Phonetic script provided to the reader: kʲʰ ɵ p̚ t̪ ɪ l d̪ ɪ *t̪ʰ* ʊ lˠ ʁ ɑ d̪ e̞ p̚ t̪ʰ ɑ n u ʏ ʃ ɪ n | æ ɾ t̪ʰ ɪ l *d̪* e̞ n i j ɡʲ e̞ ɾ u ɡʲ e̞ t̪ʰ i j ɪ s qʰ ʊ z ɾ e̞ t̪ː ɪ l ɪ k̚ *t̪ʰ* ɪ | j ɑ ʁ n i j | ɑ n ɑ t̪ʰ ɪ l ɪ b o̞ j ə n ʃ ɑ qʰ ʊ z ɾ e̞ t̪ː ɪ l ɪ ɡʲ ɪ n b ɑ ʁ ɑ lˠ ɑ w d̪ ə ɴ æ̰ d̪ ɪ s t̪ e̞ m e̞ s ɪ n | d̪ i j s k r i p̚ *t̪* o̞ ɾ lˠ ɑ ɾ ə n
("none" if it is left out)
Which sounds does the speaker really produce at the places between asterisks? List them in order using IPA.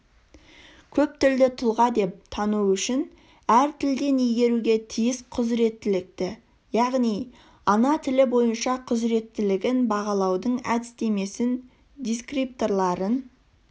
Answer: t̪ʰ, d̪, t̪, t̪

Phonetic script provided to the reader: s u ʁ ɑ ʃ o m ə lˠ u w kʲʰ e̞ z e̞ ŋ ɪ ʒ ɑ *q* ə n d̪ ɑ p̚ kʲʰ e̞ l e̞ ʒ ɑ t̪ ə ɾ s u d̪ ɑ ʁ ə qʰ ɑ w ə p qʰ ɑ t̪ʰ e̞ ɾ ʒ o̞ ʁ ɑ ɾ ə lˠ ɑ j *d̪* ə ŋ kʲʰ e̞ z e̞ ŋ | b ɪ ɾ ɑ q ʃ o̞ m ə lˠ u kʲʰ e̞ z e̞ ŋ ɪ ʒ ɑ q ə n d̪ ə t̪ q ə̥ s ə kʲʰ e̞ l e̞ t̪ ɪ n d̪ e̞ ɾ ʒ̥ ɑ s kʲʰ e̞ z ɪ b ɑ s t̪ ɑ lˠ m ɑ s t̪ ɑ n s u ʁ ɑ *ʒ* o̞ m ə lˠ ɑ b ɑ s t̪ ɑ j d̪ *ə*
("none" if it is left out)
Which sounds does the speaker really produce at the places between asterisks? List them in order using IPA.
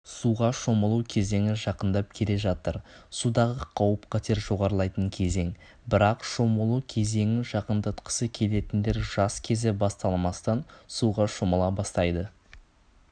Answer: q, t̪, ʃ, ə

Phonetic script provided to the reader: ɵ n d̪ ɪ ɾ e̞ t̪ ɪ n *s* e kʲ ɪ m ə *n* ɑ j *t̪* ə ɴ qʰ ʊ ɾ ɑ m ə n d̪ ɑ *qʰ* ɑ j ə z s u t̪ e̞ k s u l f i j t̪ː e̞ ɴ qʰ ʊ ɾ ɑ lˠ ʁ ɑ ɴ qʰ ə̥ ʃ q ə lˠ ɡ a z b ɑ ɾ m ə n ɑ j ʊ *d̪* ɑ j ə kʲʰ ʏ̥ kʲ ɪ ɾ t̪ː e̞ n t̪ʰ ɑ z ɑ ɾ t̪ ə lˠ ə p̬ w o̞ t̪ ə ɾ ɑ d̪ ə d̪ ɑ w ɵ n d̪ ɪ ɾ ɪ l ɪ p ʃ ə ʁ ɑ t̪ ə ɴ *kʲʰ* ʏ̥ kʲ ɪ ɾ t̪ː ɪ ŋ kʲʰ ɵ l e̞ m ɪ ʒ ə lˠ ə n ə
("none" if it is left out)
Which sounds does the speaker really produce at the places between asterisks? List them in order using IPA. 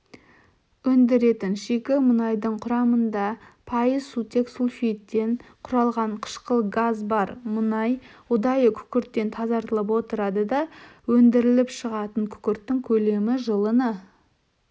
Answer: ʃ, n, d̪, pʰ, d̪, kʲʰ

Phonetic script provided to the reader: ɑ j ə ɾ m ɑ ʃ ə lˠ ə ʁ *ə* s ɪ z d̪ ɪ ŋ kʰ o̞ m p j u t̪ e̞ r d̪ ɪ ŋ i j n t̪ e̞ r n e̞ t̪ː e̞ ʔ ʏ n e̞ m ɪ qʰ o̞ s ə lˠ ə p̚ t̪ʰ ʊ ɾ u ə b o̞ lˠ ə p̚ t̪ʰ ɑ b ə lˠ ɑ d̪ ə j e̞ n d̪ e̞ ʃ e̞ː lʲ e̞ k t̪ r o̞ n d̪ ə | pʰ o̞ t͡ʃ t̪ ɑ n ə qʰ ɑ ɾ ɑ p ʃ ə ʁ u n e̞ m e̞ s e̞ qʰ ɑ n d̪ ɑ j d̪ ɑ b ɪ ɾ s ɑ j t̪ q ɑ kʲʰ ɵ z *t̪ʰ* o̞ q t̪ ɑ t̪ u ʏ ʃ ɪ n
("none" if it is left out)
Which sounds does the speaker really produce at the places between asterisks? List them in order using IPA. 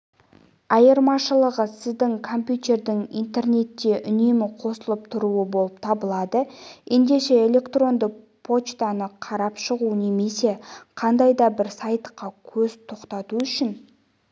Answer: ə, t̪ʰ

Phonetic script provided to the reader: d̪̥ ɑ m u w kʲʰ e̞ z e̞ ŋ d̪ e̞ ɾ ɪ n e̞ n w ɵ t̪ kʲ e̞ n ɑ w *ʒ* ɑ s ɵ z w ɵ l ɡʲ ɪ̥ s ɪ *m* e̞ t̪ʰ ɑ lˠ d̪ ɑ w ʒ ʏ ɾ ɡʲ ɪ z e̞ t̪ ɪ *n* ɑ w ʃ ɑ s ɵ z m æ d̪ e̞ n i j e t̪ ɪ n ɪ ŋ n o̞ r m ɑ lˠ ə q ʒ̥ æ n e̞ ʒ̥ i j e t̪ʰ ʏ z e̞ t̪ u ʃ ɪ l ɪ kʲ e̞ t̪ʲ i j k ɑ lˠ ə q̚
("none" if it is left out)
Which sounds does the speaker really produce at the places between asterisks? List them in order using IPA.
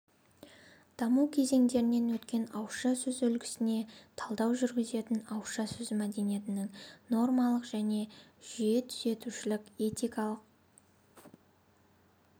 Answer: ʃ, n, n

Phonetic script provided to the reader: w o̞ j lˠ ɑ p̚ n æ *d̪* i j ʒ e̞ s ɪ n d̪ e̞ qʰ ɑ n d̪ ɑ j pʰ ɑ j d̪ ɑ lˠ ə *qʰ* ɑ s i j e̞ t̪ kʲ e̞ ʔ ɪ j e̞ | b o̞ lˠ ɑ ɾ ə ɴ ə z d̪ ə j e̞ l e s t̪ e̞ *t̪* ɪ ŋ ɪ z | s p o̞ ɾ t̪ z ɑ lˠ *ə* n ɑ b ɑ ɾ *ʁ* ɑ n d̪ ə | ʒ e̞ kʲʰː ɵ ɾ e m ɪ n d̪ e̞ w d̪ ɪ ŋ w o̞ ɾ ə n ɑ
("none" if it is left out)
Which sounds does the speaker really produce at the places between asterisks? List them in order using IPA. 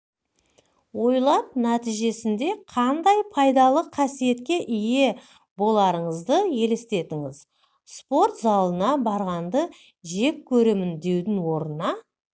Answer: t̪, qʰ, t̪, ə, ʁ

